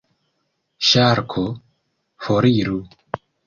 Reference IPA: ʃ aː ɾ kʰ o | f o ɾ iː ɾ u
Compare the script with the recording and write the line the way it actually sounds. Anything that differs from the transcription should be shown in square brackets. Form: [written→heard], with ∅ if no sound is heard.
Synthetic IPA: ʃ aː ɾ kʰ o | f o ɾ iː ɾ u